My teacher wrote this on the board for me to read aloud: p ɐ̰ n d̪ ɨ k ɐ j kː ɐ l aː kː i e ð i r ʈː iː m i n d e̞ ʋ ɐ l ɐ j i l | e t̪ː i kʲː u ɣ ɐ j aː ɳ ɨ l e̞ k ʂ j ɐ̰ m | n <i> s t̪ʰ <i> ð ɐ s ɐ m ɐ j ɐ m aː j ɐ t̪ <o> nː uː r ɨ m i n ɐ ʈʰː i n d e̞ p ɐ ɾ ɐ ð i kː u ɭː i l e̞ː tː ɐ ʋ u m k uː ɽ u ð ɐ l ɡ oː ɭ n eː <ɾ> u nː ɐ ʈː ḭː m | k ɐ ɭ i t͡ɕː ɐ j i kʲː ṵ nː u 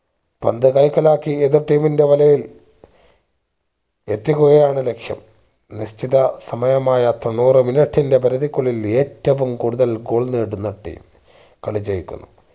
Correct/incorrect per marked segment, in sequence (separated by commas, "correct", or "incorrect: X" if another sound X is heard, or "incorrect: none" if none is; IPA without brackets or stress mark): correct, correct, correct, incorrect: ɽ